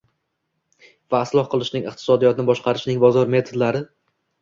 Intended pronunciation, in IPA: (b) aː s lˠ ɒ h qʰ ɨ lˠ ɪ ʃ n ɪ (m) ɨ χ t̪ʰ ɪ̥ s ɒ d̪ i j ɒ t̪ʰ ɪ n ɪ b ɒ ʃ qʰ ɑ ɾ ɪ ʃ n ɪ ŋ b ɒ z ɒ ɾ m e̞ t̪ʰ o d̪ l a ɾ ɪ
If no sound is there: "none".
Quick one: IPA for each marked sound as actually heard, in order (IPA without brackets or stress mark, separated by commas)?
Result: v, ŋ